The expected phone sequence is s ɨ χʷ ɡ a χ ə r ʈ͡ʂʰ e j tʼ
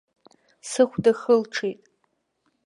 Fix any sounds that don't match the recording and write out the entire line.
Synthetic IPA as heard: s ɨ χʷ d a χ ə l ʈ͡ʂʰ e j tʼ